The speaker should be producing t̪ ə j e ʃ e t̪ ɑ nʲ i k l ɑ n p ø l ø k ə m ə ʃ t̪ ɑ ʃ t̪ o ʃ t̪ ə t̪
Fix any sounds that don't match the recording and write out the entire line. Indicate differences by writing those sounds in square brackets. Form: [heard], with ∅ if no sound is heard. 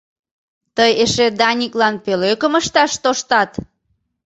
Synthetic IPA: t̪ ə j e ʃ e [d̪] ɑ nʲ i k l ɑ n p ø l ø k ə m ə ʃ t̪ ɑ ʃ t̪ o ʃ t̪ [ɑ] t̪